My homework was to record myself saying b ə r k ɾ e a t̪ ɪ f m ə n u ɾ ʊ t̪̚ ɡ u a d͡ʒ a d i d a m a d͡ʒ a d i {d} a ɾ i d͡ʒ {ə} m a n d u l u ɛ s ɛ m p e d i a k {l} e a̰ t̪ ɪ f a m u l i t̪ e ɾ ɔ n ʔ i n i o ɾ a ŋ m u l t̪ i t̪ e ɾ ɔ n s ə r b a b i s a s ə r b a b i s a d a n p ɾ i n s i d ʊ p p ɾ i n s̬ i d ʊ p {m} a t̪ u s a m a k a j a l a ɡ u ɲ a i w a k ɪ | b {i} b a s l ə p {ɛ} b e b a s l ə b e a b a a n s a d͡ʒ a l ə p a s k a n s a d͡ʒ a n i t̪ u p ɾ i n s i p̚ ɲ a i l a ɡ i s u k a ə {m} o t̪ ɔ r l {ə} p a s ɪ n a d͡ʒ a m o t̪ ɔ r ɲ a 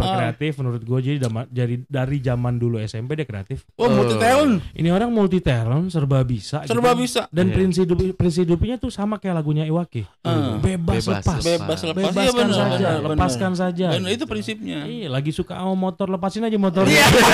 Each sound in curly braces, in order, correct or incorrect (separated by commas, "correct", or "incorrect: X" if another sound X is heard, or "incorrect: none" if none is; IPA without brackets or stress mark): correct, incorrect: a, incorrect: ɾ, incorrect: ɲ, incorrect: e, incorrect: a, correct, correct